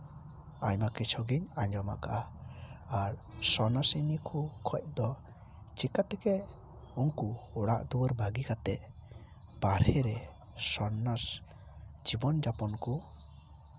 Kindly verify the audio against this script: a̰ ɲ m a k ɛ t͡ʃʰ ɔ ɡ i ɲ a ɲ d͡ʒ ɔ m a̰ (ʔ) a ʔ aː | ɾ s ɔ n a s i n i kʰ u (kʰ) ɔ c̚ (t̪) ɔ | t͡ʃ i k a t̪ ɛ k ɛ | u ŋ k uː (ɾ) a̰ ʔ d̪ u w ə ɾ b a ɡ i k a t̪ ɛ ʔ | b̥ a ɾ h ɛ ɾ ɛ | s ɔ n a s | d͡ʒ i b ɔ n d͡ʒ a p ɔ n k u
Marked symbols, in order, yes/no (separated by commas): no, yes, no, no